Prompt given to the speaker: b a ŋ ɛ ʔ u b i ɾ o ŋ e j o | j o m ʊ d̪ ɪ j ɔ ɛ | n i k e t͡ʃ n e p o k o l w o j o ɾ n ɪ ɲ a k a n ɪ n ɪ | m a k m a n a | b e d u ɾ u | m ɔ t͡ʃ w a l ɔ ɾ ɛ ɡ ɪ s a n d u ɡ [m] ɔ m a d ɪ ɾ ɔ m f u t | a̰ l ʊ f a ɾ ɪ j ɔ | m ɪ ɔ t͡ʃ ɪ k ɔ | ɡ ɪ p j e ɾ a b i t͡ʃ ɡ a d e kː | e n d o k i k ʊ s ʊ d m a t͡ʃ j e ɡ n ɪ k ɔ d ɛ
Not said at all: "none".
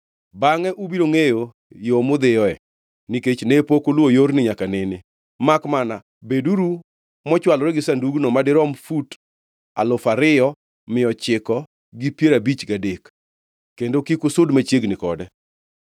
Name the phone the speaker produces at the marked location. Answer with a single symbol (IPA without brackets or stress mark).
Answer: n